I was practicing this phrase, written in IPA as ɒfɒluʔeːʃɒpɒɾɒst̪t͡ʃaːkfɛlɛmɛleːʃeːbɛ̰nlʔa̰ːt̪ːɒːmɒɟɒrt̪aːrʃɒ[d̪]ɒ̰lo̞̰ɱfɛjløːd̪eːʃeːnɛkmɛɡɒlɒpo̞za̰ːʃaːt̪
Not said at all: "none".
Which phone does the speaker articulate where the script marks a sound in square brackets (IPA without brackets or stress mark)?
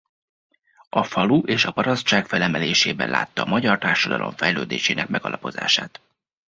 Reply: d̪